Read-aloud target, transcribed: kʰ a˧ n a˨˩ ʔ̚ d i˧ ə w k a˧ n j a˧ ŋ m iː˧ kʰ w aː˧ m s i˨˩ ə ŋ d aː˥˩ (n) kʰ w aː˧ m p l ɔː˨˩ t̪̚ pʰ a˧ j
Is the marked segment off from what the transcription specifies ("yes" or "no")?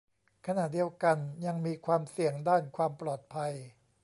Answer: no